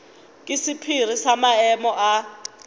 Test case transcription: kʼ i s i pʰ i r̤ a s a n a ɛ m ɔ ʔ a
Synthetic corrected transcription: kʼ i s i pʰ i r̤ i s a m a ɛ m ɔ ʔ a

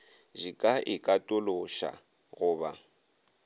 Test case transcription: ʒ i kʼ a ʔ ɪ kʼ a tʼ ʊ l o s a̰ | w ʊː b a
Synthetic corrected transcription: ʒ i kʼ a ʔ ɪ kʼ a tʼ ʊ l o ʃ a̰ | ɣ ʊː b a

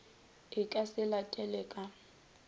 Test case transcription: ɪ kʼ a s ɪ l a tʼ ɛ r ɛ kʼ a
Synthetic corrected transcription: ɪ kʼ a s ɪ l a tʼ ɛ l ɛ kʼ a

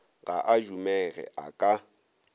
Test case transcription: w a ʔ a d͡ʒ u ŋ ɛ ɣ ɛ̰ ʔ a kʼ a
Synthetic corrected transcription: ɣ a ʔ a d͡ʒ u m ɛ ɣ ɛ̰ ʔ a kʼ a

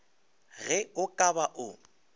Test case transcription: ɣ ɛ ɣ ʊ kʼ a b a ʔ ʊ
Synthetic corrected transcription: ɣ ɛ ʊ kʼ a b a ʔ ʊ

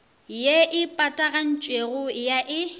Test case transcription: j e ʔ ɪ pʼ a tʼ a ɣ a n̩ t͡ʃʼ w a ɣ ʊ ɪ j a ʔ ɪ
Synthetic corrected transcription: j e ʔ ɪ pʼ a tʼ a ɣ a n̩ t͡ʃʼ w e ɣ ʊ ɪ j a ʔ ɪ

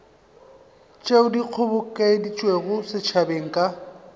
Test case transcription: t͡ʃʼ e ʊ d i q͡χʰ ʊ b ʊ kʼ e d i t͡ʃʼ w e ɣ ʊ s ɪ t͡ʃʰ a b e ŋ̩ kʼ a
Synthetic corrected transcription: t͡ʃʼ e ʊ d i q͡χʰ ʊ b ʊ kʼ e d i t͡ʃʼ w e ɣ ʊ s ɪ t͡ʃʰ a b e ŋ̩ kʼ a

